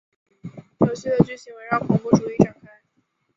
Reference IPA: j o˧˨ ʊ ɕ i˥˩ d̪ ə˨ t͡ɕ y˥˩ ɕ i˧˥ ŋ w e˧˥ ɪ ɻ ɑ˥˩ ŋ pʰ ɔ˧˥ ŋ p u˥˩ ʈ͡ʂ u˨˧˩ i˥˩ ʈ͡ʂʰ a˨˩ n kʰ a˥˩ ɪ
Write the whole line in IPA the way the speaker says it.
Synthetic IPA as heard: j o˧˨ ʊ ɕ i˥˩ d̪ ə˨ t͡ɕ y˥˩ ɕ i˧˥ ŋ w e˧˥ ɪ ɻ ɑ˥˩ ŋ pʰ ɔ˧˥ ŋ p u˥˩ ʈ͡ʂ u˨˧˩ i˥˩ ʈ͡ʂ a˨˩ ŋ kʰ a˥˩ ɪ